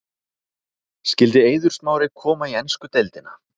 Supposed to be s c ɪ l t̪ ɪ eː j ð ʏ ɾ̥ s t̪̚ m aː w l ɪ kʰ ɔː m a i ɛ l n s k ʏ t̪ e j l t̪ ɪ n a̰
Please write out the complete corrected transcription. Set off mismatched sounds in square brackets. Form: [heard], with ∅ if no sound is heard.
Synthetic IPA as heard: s c ɪ l t̪ ɪ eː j ð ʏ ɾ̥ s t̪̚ m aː w [ɾ] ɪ kʰ ɔː m a i ɛ [∅] n s k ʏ t̪ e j l t̪ ɪ n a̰